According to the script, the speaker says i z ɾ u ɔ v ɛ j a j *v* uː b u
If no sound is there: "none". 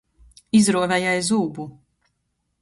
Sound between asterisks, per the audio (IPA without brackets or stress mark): z